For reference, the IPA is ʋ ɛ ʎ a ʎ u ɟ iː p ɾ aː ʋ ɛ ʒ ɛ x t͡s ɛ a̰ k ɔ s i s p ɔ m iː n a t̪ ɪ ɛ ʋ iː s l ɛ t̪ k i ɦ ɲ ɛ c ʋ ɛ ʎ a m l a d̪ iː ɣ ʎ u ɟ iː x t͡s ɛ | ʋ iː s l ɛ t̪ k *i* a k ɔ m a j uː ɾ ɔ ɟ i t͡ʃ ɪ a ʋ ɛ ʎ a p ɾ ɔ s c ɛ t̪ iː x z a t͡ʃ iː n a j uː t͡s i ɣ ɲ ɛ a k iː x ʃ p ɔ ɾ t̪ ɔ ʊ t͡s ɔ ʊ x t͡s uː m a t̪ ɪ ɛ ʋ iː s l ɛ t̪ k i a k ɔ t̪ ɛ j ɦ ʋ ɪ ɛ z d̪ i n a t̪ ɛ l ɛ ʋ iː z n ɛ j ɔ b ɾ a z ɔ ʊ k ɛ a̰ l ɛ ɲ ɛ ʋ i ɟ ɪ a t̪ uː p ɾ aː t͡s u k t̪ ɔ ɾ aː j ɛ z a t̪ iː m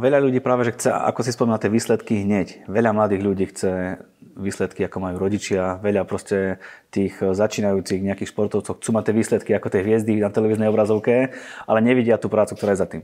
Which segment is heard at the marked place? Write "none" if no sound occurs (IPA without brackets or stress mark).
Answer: i